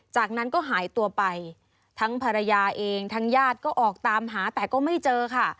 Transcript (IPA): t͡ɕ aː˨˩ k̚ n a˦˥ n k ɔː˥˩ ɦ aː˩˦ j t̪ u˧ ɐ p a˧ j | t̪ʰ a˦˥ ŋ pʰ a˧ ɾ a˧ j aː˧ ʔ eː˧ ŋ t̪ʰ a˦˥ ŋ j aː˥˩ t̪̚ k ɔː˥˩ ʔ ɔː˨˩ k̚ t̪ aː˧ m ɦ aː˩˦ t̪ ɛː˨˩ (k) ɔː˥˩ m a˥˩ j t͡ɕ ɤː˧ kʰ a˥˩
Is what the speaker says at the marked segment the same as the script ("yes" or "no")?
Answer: yes